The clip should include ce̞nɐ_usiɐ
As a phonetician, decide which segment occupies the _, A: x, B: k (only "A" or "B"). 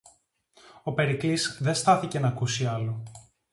B